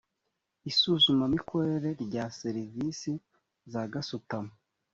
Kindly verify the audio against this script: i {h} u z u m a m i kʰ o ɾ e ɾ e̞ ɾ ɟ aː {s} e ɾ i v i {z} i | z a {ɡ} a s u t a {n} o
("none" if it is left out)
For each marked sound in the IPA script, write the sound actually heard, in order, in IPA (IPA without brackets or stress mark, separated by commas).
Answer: s, s, s, ɡ, m